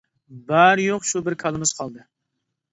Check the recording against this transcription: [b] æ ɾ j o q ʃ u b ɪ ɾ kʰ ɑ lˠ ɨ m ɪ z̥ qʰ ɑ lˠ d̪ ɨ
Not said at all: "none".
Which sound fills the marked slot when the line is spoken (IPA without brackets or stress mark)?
b